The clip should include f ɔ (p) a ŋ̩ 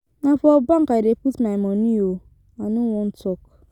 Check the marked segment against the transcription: incorrect: b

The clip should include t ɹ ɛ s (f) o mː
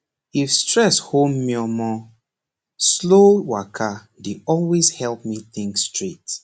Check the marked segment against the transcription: incorrect: h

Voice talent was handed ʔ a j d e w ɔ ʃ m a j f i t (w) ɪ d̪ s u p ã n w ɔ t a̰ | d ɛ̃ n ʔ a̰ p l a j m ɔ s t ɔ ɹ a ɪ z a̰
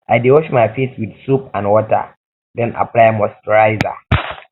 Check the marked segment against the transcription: correct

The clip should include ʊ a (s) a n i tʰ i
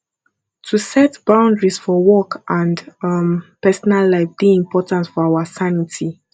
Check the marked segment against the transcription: correct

